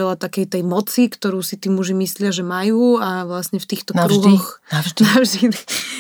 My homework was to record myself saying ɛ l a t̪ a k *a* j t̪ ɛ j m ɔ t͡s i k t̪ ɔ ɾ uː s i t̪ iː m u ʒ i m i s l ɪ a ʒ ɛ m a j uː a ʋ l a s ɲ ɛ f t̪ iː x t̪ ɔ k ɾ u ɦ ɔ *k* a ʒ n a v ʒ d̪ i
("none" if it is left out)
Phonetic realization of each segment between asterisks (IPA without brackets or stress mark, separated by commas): ɛ, x